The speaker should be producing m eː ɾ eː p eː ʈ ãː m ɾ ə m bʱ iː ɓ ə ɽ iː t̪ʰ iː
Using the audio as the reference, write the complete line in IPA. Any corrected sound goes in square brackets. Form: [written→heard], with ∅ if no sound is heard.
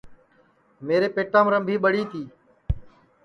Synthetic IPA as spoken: m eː ɾ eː p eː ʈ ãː m ɾ ə m bʱ iː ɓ ə ɽ iː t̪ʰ iː